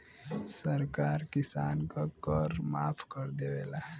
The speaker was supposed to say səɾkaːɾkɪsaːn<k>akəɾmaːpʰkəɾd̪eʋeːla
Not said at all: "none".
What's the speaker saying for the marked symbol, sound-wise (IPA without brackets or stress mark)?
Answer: k